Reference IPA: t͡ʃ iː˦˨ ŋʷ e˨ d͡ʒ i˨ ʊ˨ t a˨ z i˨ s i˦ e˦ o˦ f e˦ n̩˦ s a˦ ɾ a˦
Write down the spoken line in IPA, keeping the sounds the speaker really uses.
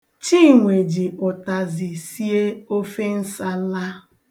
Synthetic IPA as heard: t͡ʃ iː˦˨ ŋʷ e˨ d͡ʒ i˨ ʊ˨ t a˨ z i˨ s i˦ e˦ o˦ f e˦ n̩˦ s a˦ l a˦